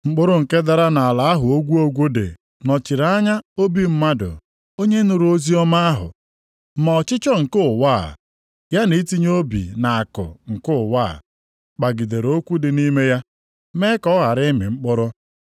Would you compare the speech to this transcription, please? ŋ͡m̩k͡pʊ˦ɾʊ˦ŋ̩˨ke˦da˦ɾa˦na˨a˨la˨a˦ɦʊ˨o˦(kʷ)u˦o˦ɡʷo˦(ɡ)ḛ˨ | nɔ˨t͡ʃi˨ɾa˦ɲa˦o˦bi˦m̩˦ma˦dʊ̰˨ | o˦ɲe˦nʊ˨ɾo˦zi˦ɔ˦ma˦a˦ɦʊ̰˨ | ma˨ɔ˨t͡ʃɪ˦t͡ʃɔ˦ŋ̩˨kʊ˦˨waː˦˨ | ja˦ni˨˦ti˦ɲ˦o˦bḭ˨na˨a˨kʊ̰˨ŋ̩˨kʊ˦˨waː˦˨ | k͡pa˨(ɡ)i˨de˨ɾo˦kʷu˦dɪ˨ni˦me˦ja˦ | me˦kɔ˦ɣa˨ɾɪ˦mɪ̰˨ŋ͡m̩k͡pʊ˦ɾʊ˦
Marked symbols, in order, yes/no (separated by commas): no, no, yes